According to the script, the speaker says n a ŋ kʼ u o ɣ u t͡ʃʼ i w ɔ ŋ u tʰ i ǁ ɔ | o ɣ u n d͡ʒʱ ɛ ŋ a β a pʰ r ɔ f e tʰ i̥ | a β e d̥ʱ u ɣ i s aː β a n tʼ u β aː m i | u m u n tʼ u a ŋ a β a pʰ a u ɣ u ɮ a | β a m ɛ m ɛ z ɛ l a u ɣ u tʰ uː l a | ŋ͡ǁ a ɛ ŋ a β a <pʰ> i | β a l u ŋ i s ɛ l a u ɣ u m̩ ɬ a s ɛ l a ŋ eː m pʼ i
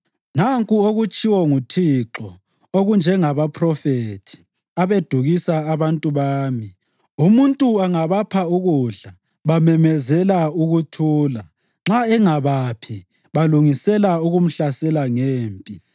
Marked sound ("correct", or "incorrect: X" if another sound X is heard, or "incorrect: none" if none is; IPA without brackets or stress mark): correct